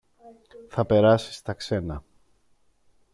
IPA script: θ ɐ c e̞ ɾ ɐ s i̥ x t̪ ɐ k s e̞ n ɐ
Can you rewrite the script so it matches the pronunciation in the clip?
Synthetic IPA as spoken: θ ɐ p e̞ ɾ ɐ s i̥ s t̪ ɐ k s e̞ n ɐ

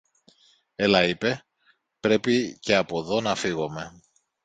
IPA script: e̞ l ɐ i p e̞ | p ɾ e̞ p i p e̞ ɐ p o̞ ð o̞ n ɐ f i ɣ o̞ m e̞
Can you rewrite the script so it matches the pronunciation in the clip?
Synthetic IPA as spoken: e̞ l ɐ i p e̞ | p ɾ e̞ p i c e̞ ɐ p o̞ ð o̞ n ɐ f i ɣ o̞ m e̞

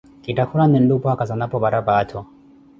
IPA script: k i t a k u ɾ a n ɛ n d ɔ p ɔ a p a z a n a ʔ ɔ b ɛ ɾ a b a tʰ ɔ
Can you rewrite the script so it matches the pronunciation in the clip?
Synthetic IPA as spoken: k i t a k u ɾ a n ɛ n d u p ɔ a k a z a n a p ɔ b a ɾ a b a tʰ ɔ

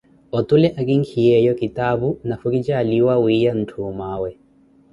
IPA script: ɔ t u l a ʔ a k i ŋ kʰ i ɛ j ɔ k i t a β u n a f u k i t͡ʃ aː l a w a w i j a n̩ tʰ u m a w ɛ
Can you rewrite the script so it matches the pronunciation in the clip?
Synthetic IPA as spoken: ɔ t u l ɛ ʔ a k i ŋ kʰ i ɛ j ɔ k i t a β u n a f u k i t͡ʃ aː l i w a w i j a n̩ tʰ u m a w ɛ

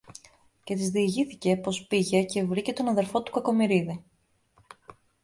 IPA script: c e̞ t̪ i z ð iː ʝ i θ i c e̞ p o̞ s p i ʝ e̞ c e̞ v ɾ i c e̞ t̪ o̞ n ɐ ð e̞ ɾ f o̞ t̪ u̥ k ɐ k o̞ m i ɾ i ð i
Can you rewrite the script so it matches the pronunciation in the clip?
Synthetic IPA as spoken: c e̞ t̪ i z ð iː ʝ i θ i c e̞ p o̞ s p i ʝ e̞ c e̞ v ɾ i c e̞ t̪ o̞ n ɐ ð e̞ ɾ f o̞ t̪ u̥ k ɐ k o̞ m i ɾ i ð i

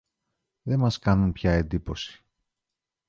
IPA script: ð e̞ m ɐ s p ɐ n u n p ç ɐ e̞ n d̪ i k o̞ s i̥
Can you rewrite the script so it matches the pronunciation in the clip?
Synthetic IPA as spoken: ð e̞ m ɐ s k ɐ n u n p ç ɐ e̞ n d̪ i p o̞ s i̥

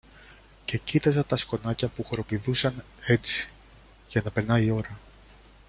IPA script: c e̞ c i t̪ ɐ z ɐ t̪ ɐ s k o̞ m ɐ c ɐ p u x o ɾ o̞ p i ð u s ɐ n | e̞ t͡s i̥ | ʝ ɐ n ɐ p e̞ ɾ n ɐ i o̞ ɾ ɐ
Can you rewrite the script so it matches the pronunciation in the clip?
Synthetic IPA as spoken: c e̞ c i t̪ ɐ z ɐ t̪ ɐ s k o̞ n ɐ c ɐ p u x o ɾ o̞ p i ð u s ɐ n | e̞ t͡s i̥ | ʝ ɐ n ɐ p e̞ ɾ n ɐ i o̞ ɾ ɐ

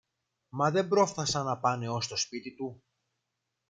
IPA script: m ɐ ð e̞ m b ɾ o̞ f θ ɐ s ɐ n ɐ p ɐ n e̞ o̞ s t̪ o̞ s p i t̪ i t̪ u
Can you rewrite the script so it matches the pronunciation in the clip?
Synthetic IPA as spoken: m ɐ ð e̞ m b ɾ o̞ f θ ɐ s ɐ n ɐ p ɐ n e̞ o̞ s t̪ o̞ s p i t̪ i t̪ u

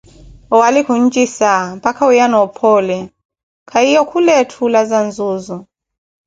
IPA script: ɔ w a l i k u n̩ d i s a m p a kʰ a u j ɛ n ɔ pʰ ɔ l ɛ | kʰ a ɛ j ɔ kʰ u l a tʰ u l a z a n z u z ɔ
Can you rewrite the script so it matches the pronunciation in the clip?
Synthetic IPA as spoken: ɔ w a l i k u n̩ d͡ʒ i s a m p a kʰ a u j a n ɔ pʰ ɔ l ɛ | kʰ a i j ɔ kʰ u l ɛ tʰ u l a z a n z u z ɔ

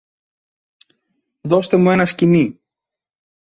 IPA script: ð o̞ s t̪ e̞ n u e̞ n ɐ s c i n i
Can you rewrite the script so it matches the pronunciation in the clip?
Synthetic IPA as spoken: ð o̞ s t̪ e̞ m u e̞ n ɐ s c i n i

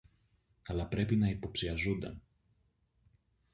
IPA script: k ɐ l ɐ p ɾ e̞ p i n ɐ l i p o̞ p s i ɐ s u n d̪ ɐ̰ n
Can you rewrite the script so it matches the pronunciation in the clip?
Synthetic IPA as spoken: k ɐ l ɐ p ɾ e̞ p i n ɐ i p o̞ p s i ɐ z u n d̪ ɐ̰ n

